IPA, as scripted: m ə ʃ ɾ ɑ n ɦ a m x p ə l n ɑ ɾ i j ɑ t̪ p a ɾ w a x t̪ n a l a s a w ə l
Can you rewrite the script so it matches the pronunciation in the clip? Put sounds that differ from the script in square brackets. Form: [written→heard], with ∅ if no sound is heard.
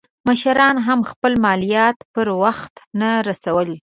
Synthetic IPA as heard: m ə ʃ ɾ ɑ n ɦ a m x p ə l [n→m] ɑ [ɾ→l] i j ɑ t̪ p [a→ə] ɾ w a x t̪ n a [l→ɾ] a s a w ə l